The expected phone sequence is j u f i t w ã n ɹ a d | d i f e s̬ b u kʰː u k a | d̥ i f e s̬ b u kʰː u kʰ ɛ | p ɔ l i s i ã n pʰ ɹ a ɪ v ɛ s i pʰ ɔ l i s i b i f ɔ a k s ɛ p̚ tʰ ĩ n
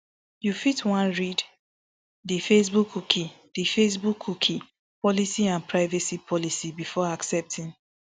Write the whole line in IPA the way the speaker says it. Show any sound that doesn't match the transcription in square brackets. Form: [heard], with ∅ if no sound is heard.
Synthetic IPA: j u f i t w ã n ɹ [i] d | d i f e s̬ b u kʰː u k [i] | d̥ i f e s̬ b u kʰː u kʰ [i] | p ɔ l i s i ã n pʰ ɹ a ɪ v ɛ s i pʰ ɔ l i s i b i f ɔ a k s ɛ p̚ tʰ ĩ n